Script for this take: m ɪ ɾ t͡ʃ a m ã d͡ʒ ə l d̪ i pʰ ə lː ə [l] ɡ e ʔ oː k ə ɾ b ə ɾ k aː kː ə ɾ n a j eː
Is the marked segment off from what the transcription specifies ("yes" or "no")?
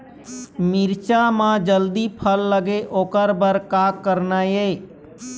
yes